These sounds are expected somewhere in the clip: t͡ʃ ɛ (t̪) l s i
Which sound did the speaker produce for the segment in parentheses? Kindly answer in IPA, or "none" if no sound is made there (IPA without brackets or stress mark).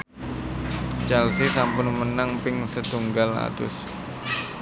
none